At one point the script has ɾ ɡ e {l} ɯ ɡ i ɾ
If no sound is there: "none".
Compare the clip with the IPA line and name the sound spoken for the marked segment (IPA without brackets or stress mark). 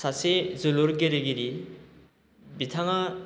ɾ